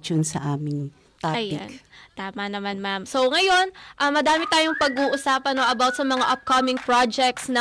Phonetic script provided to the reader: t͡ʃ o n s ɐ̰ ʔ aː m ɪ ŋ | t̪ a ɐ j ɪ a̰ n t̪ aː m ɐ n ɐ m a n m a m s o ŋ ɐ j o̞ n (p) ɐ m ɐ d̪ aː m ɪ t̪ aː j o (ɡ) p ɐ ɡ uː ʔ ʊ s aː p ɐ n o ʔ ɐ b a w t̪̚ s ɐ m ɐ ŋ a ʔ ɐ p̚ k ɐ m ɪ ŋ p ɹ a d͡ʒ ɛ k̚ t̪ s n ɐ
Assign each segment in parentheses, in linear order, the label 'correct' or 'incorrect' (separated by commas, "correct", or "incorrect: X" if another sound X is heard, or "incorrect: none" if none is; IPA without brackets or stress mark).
incorrect: ʔ, incorrect: ŋ